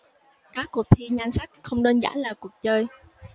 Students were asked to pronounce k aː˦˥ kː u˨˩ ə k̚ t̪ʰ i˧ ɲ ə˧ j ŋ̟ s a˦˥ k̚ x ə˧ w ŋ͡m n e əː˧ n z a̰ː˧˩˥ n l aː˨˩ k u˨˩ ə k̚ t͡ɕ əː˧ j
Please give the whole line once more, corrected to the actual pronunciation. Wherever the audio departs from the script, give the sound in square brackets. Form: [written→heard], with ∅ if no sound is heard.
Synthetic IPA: k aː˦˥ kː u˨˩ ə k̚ t̪ʰ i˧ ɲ [ə˧→a˧] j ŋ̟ s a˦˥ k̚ x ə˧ w ŋ͡m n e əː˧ n z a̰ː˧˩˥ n l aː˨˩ k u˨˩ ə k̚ t͡ɕ əː˧ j